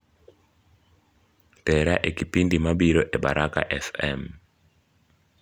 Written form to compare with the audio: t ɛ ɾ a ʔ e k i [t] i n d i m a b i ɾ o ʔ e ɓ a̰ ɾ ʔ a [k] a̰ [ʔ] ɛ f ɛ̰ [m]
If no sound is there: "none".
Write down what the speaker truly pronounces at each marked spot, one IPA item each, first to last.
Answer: p, k, ʔ, m

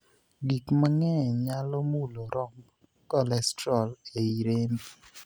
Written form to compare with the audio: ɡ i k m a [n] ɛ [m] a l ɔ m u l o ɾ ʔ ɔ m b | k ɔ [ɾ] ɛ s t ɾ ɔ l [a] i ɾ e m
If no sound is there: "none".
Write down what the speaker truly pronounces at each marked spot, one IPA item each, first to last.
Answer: ŋ, ɲ, l, e

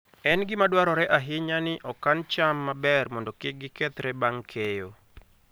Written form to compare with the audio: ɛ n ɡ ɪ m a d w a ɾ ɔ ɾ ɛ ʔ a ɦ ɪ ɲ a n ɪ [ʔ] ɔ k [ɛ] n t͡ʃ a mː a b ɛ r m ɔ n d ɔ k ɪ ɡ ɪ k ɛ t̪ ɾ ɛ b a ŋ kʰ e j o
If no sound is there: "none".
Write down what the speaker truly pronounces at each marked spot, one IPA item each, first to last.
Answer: ʔ, a

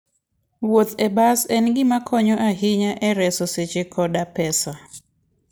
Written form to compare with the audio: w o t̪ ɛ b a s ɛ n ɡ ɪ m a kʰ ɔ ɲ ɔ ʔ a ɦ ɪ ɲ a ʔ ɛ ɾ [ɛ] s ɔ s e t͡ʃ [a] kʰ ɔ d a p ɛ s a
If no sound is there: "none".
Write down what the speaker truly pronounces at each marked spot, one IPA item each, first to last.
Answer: ɛ, e

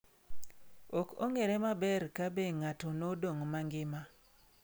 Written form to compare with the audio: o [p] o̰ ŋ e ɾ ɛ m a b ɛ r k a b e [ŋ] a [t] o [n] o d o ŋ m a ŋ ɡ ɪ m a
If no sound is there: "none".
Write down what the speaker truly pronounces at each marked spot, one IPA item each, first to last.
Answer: k, ŋ, t, n

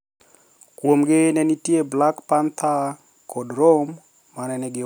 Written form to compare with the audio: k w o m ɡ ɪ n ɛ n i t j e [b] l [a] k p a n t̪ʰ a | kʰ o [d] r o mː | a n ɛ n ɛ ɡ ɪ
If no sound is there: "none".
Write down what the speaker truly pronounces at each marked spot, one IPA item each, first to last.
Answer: b, a, d

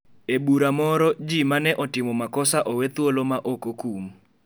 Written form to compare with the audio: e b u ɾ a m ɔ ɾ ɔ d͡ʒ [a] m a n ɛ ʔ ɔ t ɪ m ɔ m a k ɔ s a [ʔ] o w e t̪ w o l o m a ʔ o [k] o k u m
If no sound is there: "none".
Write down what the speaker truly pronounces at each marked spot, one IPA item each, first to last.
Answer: i, ʔ, k

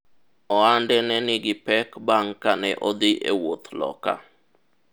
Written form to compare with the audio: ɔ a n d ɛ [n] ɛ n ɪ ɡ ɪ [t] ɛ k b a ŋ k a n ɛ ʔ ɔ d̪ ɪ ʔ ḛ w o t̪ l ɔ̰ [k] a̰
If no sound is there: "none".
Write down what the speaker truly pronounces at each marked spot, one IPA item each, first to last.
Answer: n, p, k

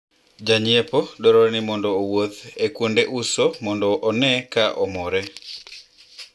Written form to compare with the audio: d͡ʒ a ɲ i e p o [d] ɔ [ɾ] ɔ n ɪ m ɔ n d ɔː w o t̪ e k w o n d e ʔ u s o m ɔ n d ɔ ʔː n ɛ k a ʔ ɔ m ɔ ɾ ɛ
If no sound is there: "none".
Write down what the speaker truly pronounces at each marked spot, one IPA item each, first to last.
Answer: d, ɾ

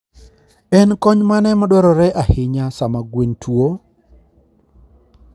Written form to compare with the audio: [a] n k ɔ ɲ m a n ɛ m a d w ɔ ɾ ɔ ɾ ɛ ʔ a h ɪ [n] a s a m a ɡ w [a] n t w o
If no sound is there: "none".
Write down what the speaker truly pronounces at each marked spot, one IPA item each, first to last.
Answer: ɛ, ɲ, e

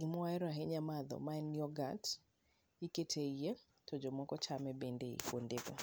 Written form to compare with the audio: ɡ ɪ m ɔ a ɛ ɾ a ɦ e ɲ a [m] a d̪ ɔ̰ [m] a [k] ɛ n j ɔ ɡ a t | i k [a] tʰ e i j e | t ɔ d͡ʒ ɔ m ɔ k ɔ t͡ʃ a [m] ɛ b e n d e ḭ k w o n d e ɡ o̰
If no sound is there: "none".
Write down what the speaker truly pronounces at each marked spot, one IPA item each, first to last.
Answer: m, m, none, e, m

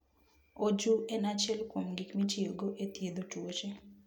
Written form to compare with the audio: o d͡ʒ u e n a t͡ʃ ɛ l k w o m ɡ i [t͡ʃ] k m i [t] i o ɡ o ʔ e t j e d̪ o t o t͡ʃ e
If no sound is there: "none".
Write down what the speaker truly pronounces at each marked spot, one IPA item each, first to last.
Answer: none, t͡ʃ

